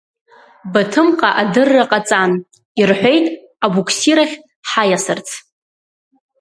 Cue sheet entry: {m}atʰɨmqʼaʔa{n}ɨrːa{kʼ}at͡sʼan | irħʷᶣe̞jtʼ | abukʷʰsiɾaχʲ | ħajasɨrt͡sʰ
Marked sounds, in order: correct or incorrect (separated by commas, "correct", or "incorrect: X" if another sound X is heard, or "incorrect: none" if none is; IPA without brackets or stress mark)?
incorrect: b, incorrect: d, incorrect: qʼ